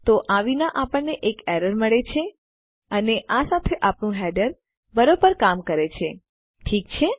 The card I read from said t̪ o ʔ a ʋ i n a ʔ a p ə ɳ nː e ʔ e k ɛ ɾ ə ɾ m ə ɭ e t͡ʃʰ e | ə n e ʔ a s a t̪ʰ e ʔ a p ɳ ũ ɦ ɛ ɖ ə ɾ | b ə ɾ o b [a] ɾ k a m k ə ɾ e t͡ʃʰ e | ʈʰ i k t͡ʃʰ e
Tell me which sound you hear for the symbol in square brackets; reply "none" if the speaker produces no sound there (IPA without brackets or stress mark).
ə